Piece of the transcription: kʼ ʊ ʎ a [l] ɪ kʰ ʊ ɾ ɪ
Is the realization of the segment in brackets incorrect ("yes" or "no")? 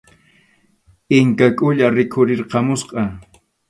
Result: yes